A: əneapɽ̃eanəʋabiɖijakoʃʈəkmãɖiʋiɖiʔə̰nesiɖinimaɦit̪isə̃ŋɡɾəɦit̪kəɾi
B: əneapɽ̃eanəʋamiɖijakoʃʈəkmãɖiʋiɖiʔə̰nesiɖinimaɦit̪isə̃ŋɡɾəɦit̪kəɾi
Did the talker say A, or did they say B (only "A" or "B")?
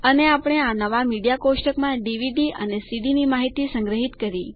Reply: B